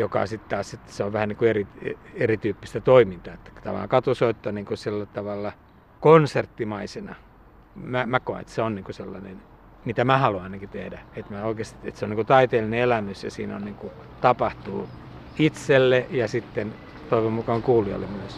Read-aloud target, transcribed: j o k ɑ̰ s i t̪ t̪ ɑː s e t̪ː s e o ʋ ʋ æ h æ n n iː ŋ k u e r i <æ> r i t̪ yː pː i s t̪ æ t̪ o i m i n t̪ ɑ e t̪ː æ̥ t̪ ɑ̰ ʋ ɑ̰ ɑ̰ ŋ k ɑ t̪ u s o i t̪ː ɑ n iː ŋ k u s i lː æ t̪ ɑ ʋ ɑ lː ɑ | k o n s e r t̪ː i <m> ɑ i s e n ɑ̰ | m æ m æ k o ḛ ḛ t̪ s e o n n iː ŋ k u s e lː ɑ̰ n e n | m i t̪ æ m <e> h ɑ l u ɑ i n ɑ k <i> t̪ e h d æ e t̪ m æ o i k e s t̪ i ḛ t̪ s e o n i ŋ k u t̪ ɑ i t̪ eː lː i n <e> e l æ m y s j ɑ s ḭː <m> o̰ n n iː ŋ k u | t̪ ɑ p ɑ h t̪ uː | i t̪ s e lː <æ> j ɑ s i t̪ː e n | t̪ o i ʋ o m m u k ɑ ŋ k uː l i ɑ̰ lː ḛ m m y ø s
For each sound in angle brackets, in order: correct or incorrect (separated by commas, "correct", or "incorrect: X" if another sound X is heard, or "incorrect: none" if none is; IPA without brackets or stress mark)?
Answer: incorrect: e, correct, incorrect: æ, correct, correct, incorrect: n, incorrect: e